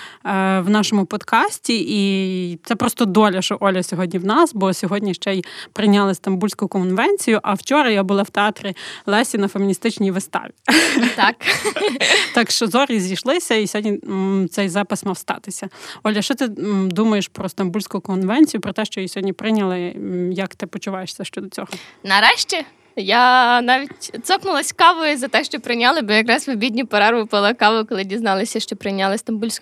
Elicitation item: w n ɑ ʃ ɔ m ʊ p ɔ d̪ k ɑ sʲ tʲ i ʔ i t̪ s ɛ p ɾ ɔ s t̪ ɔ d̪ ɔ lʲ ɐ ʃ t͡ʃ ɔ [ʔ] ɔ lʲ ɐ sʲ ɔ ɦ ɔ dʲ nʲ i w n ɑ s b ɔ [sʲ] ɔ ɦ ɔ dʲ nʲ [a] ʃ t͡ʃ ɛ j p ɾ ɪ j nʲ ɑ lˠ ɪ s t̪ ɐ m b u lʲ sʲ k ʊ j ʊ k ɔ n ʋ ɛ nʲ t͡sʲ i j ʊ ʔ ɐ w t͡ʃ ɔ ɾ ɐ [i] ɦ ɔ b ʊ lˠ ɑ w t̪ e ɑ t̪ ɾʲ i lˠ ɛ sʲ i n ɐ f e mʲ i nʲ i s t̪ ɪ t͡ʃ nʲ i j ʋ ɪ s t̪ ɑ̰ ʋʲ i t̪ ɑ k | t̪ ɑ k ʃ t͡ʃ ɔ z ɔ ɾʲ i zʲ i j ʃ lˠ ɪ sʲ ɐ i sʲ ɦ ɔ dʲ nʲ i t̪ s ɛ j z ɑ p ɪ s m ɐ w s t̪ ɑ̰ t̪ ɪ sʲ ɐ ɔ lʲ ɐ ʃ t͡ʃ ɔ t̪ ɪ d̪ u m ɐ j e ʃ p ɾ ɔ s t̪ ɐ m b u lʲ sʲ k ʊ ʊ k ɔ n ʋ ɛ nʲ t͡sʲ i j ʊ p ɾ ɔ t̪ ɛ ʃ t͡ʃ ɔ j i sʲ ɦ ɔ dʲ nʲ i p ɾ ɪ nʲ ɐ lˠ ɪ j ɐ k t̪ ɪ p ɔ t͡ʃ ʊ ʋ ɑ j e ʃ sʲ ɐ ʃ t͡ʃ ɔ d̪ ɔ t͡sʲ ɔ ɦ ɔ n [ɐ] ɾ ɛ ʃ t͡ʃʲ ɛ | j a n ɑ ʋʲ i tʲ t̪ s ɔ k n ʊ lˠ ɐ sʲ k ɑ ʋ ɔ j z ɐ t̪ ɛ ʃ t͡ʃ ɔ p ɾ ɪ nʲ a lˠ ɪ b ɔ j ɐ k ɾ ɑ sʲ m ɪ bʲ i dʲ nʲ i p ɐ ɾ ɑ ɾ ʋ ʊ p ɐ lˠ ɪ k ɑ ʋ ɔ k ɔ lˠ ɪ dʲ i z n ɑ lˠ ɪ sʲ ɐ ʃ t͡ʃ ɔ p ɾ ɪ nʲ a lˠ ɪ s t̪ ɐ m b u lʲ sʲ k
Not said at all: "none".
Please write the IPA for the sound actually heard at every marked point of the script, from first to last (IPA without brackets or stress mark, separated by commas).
ʔ, sʲ, i, j, ɐ